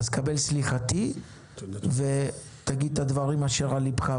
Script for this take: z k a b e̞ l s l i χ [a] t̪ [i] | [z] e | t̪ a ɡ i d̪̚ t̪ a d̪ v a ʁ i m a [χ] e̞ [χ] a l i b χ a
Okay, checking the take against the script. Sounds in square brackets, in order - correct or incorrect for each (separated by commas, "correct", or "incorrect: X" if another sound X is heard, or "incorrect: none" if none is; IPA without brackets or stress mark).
correct, correct, incorrect: v, incorrect: ʃ, incorrect: ʁ